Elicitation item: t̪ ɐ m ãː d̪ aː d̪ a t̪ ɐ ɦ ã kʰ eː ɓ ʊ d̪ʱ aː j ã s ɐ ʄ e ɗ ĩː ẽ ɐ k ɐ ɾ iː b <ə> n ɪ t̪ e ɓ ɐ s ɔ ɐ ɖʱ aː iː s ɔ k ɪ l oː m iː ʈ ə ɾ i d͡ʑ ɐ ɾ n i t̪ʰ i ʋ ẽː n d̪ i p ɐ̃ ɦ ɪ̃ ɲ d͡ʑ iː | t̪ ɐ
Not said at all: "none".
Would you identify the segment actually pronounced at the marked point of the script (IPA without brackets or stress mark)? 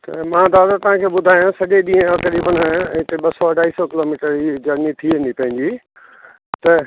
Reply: ə